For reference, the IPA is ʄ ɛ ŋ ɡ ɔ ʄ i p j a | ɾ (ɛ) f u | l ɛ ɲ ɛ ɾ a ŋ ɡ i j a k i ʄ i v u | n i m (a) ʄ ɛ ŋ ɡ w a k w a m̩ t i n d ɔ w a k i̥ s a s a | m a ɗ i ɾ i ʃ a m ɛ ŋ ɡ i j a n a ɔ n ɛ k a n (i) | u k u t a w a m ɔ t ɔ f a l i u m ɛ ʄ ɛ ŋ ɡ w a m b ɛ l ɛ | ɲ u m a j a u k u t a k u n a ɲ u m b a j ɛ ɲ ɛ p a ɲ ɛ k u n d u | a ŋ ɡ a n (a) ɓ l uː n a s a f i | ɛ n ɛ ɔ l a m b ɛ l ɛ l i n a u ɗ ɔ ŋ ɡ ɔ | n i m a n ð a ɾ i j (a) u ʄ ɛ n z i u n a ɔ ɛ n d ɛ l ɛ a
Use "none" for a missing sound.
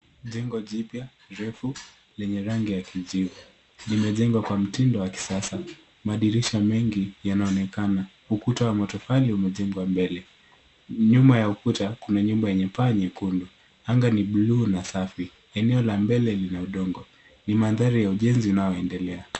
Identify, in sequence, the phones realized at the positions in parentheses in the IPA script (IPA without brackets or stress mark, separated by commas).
ɛ, ɛ, a, i, a